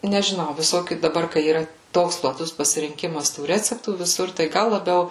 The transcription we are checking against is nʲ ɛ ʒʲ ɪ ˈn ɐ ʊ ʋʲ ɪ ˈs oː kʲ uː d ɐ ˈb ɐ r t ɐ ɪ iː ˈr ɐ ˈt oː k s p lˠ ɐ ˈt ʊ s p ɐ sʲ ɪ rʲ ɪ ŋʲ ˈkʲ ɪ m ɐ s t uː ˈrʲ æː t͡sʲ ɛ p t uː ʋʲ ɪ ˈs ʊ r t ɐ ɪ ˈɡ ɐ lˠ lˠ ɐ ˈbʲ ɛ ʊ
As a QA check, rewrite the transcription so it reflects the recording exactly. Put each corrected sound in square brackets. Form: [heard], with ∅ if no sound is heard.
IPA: nʲ ɛ ʒʲ ɪ ˈn ɐ ʊ ʋʲ ɪ ˈs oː kʲ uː d ɐ ˈb ɐ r [k] ɐ ɪ iː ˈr ɐ ˈt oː k s p lˠ ɐ ˈt ʊ s p ɐ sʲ ɪ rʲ ɪ ŋʲ ˈkʲ ɪ m ɐ s t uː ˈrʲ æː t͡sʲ ɛ p t uː ʋʲ ɪ ˈs ʊ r t ɐ ɪ ˈɡ ɐ lˠ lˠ ɐ ˈbʲ ɛ ʊ